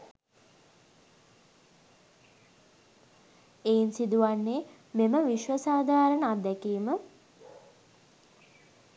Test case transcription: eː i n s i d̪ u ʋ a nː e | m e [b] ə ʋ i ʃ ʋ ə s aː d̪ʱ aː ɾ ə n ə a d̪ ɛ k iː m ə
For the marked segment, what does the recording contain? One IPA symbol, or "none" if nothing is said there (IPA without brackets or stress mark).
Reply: m